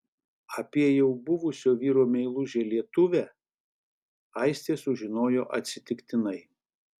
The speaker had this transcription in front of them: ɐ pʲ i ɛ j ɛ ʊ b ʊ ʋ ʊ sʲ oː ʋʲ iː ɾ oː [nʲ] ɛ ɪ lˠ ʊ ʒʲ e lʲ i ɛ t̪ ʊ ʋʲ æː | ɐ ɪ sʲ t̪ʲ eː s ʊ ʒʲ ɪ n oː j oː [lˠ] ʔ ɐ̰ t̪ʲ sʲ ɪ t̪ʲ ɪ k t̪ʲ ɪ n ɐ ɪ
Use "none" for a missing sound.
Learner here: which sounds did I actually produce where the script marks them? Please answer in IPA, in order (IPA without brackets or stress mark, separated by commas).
mʲ, none